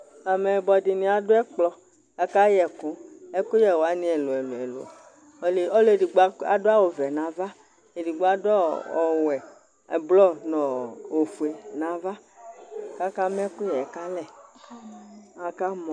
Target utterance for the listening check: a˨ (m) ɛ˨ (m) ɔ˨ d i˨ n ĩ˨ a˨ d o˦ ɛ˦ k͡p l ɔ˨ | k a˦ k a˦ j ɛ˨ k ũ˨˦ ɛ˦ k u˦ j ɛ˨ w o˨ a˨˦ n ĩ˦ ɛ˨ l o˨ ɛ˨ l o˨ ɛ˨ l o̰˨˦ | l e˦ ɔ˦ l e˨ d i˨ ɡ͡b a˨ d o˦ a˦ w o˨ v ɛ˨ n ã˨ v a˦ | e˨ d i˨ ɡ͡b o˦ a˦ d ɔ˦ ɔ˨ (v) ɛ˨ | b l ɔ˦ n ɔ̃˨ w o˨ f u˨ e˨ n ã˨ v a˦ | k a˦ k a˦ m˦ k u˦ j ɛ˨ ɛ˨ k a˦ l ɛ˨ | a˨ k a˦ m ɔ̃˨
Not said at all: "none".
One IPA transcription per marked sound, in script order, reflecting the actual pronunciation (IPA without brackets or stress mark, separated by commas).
m, b, w